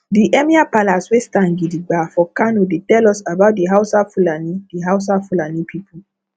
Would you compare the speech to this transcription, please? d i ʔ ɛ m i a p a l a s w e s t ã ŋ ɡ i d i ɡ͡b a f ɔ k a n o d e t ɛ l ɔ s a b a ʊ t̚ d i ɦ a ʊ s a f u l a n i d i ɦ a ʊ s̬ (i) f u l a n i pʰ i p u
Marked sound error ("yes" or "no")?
yes